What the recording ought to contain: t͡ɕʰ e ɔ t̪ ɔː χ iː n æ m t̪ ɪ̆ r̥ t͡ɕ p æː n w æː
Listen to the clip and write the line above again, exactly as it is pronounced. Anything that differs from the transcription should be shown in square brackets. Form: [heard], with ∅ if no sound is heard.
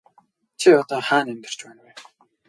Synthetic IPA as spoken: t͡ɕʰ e ɔ t̪ ɔː χ [aː] n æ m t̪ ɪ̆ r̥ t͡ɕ p æː n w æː